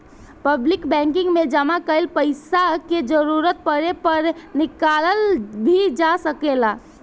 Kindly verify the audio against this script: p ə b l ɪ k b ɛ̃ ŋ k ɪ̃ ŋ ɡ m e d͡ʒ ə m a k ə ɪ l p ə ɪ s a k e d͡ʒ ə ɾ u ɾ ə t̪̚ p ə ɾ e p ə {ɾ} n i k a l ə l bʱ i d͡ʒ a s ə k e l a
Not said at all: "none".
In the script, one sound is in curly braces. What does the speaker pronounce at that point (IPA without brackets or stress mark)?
ɾ